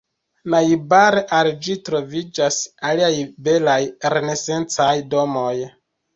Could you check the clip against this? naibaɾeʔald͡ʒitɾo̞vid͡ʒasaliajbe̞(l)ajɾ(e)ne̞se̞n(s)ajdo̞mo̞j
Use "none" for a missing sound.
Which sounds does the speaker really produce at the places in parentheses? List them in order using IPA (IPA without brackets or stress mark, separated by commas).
l, e, t͡s